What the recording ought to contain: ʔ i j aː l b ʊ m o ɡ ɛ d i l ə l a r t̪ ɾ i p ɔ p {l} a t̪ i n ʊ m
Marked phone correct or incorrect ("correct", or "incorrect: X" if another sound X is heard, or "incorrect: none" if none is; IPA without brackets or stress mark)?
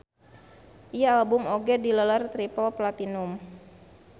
correct